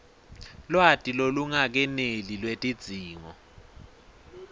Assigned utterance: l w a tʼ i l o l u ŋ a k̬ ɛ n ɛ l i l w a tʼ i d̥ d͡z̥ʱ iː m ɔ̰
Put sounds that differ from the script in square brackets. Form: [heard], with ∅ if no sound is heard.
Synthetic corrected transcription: l w a tʼ i l o l u ŋ a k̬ ɛ n [e] l i l w [e] tʼ i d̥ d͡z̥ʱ iː [ŋ] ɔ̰